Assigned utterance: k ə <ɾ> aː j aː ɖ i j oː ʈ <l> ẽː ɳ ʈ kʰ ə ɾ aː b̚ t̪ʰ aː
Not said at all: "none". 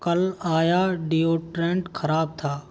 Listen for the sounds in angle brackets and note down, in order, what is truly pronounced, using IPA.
l, ɾ

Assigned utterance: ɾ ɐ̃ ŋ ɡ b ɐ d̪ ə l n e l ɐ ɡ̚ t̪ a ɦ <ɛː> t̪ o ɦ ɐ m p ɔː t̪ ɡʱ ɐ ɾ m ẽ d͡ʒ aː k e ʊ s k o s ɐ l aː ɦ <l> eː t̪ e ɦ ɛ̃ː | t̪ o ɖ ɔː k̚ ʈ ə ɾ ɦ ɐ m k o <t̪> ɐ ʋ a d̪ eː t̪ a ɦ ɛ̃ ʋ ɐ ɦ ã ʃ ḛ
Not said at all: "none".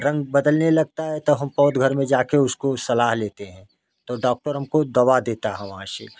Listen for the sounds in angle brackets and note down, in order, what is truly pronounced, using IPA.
ɛ, l, d̪

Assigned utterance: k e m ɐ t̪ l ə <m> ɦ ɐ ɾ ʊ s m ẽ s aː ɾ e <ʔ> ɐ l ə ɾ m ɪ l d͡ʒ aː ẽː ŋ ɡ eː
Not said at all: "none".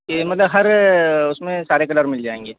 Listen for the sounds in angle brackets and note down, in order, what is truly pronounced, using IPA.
b, k

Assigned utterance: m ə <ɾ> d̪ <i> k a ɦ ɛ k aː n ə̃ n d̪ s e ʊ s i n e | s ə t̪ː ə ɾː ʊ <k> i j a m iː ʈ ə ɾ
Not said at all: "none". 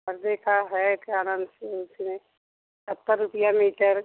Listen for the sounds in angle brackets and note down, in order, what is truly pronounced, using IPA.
ɾ, e, p

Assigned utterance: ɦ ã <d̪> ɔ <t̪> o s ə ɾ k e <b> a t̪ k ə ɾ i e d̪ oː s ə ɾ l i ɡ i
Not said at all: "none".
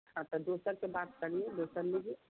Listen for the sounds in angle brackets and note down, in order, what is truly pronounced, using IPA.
t̪, d̪, b

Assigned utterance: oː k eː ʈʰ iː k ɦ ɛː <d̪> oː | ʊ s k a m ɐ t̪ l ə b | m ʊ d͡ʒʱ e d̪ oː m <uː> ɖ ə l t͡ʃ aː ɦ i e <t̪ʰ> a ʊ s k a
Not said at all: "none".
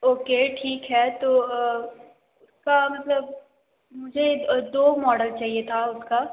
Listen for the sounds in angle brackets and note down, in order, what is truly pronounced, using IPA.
t̪, ɔː, t̪ʰ

